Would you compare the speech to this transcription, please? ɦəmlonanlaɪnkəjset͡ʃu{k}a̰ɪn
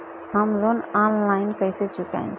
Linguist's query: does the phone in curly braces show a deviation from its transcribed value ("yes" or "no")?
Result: no